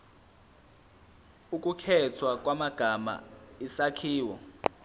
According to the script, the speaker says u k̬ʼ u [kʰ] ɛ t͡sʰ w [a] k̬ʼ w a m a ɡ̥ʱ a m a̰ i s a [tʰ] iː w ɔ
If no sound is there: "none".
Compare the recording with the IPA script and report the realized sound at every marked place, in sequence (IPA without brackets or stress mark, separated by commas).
kʰ, a, kʰ